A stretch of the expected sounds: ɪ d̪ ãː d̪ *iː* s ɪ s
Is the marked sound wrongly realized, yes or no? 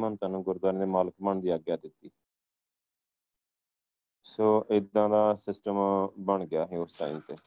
yes